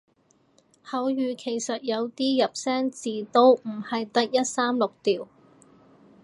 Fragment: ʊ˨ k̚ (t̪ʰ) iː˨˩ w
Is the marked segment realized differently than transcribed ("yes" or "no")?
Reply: yes